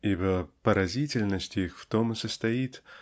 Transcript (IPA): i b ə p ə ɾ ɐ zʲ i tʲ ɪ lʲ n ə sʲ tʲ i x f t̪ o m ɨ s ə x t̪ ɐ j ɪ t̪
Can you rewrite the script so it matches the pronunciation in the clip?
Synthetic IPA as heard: i b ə p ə ɾ ɐ zʲ i tʲ ɪ lʲ n ə sʲ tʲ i x f t̪ o m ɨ s ə s t̪ ɐ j i t̪